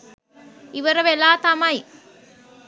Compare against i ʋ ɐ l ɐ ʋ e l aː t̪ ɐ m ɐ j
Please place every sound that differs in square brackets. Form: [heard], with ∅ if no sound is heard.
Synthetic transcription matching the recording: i ʋ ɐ [ɾ] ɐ ʋ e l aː t̪ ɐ m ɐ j